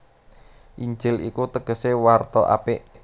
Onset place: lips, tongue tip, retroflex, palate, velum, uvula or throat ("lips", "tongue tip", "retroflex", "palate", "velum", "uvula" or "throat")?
throat